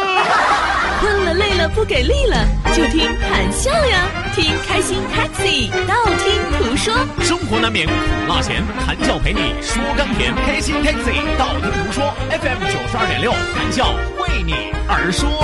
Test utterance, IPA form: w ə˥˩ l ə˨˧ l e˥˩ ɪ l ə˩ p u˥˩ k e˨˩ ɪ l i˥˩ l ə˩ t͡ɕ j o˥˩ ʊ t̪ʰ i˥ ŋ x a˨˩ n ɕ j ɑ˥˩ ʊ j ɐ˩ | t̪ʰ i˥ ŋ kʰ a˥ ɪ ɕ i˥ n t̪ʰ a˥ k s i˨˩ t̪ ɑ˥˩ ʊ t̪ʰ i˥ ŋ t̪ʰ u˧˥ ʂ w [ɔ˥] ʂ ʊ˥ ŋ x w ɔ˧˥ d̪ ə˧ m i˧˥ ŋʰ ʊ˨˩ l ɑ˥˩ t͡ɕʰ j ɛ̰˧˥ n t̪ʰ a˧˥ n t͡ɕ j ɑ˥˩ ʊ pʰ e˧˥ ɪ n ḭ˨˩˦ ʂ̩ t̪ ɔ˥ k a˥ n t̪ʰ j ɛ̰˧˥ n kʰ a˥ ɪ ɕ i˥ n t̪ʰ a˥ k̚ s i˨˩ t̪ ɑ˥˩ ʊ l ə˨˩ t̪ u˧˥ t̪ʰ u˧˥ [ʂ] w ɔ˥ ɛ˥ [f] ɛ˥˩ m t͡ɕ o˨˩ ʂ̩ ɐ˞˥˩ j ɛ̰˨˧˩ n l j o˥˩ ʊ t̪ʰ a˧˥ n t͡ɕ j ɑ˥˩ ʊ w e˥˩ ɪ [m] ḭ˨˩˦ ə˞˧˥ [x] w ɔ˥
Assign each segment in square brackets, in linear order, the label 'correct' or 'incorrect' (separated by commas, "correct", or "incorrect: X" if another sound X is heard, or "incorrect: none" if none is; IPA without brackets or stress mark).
correct, correct, correct, incorrect: n, incorrect: ʂ